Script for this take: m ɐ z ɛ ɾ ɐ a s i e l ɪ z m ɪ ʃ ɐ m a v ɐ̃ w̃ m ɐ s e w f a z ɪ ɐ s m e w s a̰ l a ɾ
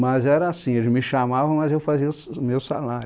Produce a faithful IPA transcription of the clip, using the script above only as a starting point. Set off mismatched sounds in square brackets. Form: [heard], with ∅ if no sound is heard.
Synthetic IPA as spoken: m ɐ z ɛ ɾ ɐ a s [ĩ] e l ɪ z m ɪ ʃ [a] m a v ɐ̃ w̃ m ɐ [z] e w f a z [i] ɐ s m e w s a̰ l a ɾ